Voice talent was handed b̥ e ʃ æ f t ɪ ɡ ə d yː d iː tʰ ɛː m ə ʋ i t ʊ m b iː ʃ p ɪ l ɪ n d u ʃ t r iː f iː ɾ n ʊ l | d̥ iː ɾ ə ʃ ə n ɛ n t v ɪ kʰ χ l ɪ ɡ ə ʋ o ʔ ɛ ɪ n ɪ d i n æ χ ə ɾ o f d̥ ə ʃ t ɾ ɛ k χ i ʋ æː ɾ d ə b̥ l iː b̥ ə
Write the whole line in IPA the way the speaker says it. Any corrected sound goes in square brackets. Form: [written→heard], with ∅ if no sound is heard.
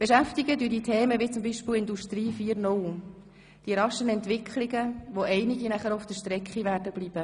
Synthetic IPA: b̥ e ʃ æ f t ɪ ɡ ə d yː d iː tʰ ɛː m ə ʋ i [t→t͡s] ʊ m b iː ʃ p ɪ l ɪ n d u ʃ t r iː f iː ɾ n ʊ l | d̥ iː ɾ [ə→ɑ] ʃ ə n ɛ n t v ɪ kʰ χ l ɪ ɡ ə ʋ o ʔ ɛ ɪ n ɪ [d→ɡ] i n æ χ ə ɾ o f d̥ ə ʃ t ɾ ɛ k χ i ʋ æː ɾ d ə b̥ l iː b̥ ə

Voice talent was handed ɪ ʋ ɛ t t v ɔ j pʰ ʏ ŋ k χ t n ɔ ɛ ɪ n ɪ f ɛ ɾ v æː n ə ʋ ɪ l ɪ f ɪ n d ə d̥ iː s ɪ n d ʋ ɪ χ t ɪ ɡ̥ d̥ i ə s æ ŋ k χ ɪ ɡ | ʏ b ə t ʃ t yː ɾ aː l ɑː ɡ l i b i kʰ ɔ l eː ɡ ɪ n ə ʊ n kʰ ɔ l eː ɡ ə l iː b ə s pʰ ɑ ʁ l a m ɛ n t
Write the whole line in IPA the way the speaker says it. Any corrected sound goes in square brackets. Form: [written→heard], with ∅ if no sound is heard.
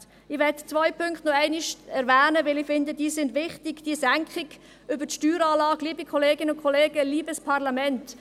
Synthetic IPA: ɪ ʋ ɛ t [t→t͡s] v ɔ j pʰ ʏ ŋ k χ t n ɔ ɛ ɪ n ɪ [f→ʃ] ɛ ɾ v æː n ə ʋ ɪ l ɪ f ɪ n d ə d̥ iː s ɪ n d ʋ ɪ χ t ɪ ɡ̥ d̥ i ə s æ ŋ k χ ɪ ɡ | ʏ b ə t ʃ t yː ɾ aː l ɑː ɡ l [i→iː] b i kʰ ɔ l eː ɡ ɪ n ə ʊ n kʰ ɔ l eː ɡ ə l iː b ə s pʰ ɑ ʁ l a m ɛ n t

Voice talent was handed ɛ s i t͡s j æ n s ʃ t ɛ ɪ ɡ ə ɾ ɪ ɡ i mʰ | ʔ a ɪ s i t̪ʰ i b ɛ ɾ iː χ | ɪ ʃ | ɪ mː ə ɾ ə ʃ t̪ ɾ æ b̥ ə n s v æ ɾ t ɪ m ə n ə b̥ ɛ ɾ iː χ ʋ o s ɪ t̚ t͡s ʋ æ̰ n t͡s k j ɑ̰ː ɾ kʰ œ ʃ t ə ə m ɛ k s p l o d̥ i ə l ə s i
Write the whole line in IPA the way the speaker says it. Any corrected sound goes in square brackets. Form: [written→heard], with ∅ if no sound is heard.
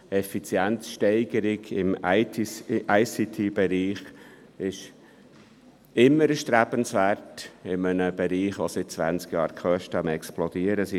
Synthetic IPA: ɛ [s→f] i t͡s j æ n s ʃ t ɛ ɪ ɡ ə ɾ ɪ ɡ [i→ɪ] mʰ | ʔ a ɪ s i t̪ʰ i b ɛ ɾ iː χ | ɪ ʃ | ɪ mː ə ɾ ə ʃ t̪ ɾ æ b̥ ə n s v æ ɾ t ɪ m ə n ə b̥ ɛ ɾ iː χ ʋ o s ɪ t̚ t͡s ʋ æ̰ n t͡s k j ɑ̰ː ɾ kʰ œ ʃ t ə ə m ɛ k s p l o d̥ i ə [l→ɾ] ə s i

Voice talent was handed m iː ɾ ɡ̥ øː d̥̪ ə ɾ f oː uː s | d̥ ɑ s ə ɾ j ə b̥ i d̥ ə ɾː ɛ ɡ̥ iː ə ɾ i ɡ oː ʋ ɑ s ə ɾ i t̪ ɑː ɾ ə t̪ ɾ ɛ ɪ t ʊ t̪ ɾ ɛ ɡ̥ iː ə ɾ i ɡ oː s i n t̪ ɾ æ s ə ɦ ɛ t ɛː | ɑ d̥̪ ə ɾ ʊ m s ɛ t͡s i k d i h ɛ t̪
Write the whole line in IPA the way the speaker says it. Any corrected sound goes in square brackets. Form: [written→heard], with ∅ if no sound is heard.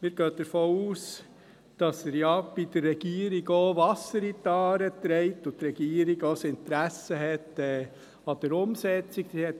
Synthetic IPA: m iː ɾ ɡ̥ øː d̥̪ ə ɾ f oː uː s | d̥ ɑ s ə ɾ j [ə→ɑ] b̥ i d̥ ə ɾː ɛ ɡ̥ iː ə ɾ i ɡ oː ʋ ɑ s ə ɾ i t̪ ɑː ɾ ə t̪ ɾ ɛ ɪ t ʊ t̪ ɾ ɛ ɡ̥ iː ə ɾ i ɡ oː s [i→ɪ] n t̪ ɾ æ s ə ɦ ɛ t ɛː | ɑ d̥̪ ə ɾ ʊ m s ɛ t͡s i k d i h ɛ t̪

